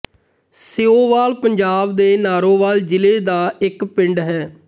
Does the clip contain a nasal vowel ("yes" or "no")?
no